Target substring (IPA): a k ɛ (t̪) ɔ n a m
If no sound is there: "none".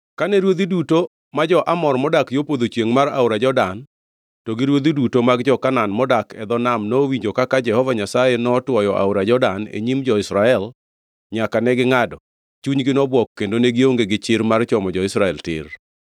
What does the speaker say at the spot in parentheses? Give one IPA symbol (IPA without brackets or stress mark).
d̪